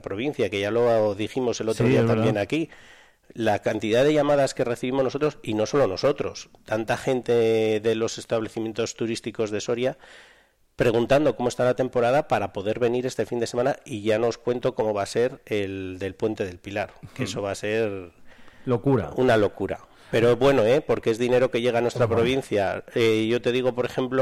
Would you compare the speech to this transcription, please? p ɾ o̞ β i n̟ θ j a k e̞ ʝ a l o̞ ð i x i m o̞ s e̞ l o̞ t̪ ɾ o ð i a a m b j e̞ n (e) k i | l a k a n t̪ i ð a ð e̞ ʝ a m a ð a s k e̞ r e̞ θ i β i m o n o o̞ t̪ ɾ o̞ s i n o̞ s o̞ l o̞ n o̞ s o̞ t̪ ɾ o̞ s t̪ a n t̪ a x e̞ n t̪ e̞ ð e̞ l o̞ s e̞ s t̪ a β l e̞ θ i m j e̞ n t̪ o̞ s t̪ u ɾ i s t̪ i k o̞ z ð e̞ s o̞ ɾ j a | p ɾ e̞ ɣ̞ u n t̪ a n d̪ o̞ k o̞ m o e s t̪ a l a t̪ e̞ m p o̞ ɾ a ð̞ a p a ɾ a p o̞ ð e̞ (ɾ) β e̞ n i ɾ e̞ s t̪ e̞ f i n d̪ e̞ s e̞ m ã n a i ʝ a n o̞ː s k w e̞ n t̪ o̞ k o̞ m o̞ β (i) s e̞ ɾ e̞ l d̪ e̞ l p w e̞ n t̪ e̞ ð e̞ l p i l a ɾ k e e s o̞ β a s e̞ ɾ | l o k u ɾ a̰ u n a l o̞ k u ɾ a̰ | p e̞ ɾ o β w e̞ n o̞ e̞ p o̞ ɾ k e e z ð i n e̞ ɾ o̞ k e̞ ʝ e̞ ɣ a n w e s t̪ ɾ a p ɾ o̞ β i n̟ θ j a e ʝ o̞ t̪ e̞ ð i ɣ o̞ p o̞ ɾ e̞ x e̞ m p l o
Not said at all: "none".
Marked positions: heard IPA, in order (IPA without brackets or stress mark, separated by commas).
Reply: a, ɾ, a